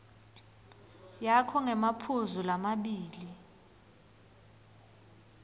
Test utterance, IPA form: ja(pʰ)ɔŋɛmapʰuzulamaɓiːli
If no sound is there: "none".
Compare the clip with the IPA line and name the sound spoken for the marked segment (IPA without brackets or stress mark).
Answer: kʰ